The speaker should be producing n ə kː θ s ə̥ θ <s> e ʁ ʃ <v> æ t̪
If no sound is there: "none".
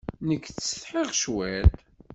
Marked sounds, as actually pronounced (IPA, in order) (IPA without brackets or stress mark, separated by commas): ħ, w